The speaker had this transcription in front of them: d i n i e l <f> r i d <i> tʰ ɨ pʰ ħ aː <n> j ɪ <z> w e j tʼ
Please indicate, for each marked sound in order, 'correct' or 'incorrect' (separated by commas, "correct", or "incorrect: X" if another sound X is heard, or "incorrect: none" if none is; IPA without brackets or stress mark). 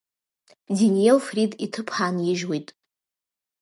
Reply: correct, correct, correct, incorrect: ʒ